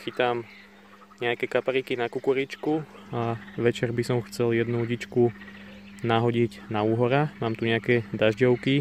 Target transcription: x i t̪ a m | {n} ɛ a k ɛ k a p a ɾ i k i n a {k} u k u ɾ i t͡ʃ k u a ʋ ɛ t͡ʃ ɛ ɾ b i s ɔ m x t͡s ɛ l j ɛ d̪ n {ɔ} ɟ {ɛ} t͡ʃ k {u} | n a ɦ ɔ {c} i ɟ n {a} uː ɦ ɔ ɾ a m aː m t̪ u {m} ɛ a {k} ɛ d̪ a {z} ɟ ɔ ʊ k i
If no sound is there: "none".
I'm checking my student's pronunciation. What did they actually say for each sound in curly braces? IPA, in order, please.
ɲ, k, u, i, u, ɟ, a, ɲ, k, ʒ

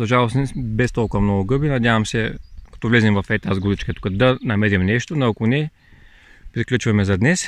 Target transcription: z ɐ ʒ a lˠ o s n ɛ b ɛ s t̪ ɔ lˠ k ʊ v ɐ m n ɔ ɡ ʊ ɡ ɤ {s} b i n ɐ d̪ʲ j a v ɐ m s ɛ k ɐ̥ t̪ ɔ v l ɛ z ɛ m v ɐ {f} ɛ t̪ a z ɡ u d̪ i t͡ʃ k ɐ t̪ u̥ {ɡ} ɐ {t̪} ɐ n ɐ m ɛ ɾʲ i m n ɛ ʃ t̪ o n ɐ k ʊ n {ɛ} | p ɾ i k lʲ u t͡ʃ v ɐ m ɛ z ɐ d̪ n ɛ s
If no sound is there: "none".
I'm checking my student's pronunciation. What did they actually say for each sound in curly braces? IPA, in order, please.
none, f, k, d̪, ɛ

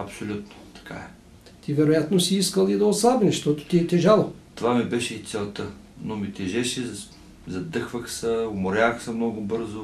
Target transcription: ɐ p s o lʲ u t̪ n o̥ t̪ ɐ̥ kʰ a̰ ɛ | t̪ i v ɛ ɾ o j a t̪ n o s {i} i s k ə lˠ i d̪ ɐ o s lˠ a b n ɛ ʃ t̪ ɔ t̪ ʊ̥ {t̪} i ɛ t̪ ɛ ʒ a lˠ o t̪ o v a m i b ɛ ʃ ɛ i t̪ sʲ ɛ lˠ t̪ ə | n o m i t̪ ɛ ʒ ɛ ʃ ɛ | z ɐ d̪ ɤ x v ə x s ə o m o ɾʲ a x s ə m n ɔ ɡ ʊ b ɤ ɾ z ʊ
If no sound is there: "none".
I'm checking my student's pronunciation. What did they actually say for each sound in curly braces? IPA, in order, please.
i, t̪

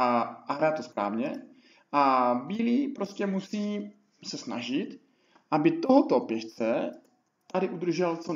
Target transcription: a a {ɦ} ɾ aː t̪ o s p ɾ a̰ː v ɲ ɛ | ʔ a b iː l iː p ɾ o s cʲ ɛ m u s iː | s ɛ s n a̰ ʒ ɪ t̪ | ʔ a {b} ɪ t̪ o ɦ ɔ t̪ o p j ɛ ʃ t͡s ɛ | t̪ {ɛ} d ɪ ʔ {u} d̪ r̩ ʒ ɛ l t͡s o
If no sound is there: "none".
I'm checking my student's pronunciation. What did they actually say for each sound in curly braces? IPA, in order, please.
ɦ, b, a, u

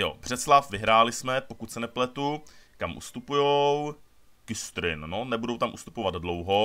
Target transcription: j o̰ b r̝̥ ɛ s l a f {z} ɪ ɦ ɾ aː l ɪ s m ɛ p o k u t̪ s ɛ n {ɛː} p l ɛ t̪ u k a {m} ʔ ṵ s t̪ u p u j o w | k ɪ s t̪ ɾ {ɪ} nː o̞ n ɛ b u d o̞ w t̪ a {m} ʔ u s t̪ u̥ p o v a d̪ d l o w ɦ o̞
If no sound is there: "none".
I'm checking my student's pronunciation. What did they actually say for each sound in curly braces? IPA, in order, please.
v, ɛ, m, ɪ, m

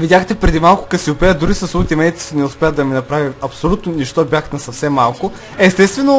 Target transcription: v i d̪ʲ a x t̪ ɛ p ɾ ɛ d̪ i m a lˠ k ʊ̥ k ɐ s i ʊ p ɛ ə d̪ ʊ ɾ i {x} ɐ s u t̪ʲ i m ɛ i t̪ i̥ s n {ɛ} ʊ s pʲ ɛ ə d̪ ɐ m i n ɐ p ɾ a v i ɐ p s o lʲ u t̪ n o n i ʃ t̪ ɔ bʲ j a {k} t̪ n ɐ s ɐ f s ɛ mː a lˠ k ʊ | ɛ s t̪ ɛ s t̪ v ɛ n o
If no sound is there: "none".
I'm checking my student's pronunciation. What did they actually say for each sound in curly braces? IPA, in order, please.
s, ɛ, x

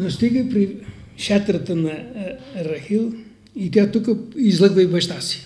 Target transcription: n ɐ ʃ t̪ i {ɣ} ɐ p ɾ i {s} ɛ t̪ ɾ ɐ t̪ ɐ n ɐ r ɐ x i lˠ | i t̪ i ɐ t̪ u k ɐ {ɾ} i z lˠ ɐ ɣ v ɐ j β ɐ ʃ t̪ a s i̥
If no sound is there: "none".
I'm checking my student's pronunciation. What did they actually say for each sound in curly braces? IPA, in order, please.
ɣ, ʃ, none

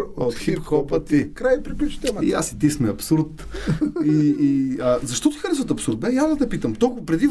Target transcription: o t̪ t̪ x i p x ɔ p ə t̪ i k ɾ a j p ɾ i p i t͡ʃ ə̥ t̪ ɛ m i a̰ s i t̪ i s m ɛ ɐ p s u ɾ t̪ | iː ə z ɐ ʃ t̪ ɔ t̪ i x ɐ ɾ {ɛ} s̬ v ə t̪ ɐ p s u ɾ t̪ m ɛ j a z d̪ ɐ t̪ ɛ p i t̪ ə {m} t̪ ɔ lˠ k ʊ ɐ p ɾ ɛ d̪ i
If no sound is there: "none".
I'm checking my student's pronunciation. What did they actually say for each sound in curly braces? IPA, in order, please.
ɛ, m

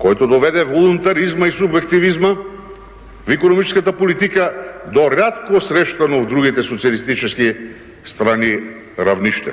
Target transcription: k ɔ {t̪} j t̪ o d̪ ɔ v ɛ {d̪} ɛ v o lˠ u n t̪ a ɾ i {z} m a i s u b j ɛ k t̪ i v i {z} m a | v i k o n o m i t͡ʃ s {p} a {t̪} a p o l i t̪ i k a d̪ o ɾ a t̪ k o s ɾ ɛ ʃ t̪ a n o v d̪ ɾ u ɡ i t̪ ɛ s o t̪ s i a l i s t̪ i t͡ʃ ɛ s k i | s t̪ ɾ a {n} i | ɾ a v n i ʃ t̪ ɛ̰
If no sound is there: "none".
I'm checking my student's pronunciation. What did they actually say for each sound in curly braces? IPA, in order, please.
none, d̪, z, z, k, t̪, n

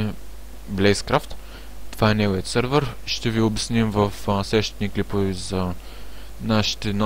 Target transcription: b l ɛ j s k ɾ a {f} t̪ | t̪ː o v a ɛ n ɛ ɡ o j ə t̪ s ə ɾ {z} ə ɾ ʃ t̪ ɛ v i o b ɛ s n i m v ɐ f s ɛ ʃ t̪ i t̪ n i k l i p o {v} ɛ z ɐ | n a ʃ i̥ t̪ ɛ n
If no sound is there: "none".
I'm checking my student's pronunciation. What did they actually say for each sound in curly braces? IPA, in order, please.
f, v, v

